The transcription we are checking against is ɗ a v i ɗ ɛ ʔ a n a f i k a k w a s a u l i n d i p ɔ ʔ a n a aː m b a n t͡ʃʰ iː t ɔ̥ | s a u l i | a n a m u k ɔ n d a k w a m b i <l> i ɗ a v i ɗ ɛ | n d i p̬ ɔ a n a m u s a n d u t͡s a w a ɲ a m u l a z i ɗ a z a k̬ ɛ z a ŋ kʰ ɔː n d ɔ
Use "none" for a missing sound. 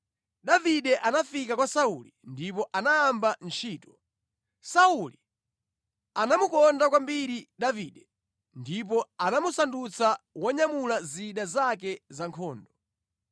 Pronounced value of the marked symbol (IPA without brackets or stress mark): ɾ